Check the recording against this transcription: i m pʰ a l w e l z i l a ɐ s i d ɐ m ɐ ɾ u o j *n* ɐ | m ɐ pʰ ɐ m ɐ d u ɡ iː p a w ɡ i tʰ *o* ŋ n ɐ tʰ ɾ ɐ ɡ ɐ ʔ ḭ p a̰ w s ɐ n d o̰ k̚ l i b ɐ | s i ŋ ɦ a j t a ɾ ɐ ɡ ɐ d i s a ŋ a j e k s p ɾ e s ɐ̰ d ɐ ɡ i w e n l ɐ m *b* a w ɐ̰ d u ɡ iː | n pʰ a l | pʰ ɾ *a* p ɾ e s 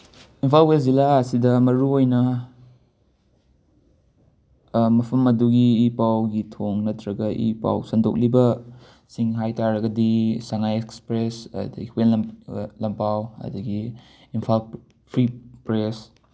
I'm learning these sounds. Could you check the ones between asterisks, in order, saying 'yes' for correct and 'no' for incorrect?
yes, yes, no, no

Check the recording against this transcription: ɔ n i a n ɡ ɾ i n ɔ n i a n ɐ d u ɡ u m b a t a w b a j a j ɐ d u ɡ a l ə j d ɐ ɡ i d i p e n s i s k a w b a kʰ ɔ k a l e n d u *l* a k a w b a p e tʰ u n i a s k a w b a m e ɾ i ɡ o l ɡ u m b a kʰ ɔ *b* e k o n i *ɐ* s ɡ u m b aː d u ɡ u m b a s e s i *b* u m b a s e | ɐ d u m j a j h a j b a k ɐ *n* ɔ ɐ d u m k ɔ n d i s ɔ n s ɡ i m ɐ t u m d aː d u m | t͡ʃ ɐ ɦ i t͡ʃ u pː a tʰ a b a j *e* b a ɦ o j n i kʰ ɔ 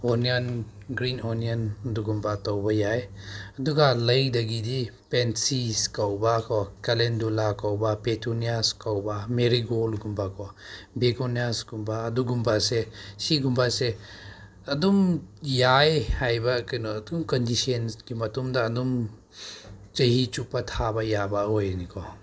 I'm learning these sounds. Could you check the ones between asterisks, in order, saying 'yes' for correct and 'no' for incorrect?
yes, yes, no, no, yes, no

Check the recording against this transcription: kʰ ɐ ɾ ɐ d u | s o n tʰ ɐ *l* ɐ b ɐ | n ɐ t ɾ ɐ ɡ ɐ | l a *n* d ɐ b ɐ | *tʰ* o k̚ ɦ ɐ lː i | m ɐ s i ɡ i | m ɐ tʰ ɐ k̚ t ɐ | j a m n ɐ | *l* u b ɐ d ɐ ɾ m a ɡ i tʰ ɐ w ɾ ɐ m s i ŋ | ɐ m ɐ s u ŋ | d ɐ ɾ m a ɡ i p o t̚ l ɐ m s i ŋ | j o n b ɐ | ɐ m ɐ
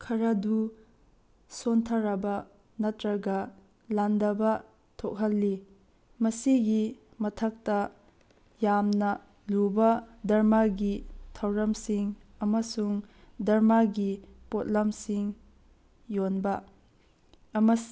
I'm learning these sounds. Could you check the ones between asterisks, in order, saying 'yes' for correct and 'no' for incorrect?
no, yes, yes, yes

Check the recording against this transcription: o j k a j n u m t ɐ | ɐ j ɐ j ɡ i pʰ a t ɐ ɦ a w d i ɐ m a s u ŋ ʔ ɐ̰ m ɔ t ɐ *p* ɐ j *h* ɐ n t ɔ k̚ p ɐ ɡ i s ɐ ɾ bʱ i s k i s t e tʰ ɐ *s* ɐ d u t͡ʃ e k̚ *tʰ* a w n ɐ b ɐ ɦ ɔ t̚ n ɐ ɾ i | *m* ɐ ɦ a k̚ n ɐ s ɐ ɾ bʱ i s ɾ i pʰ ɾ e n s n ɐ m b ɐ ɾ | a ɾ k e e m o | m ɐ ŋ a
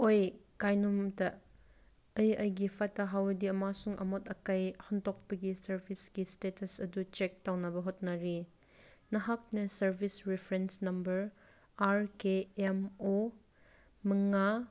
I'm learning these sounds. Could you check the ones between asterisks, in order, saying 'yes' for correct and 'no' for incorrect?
no, yes, yes, no, no

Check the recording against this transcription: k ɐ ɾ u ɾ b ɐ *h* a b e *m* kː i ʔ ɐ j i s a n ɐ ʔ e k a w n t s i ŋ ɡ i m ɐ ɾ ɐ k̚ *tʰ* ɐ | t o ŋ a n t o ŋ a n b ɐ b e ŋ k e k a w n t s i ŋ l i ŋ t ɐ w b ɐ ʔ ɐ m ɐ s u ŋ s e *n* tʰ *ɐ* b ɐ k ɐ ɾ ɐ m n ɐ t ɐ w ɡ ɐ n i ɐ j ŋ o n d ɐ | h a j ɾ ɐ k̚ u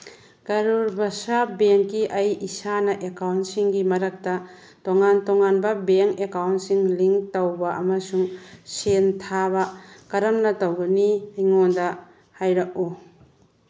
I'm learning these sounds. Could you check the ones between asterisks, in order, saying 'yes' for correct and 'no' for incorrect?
no, no, no, yes, no

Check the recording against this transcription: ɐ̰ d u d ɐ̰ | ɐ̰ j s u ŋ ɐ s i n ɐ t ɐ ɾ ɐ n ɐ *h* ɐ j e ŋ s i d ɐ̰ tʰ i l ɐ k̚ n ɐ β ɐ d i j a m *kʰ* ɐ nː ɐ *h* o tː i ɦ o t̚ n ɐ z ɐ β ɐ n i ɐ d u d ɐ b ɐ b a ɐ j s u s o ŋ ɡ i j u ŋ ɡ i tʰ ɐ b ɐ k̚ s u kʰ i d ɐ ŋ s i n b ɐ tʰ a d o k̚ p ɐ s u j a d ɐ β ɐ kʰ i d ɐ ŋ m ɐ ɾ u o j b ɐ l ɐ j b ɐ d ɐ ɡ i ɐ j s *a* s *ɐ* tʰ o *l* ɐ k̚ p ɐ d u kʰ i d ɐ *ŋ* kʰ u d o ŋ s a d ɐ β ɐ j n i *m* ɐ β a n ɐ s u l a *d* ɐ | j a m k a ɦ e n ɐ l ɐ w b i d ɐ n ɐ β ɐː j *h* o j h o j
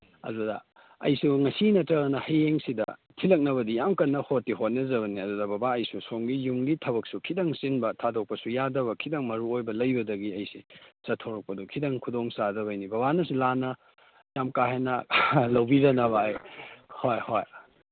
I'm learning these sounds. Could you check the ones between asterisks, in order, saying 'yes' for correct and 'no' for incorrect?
yes, no, yes, no, yes, no, yes, no, no, yes

